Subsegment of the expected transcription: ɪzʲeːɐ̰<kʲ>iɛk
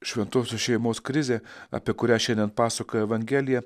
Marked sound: incorrect: pʲ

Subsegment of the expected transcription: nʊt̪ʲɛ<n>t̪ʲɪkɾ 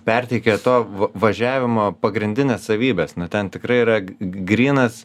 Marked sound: correct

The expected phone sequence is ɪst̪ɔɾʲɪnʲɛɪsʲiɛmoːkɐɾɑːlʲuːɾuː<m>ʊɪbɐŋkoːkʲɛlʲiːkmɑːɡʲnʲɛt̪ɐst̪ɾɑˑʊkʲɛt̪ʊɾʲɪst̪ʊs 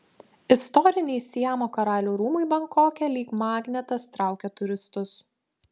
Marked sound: correct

